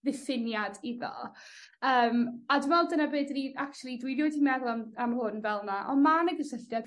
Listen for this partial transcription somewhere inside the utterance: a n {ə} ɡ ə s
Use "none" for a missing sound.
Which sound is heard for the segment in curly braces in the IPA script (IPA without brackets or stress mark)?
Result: ə